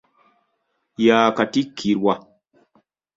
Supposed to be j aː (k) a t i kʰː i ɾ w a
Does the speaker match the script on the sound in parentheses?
yes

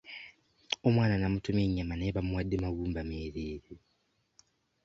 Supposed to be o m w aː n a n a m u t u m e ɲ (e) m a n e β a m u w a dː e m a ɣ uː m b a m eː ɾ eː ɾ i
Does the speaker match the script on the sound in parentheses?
no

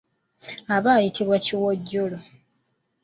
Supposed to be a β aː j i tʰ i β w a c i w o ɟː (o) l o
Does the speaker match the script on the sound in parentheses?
yes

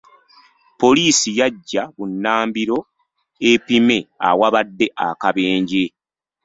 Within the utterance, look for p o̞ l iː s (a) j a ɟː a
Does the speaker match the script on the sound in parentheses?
no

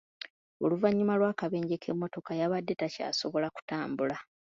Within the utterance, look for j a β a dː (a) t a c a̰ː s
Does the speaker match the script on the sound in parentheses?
no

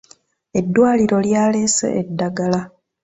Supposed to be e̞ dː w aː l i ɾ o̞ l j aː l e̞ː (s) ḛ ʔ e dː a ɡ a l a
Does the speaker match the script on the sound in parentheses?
yes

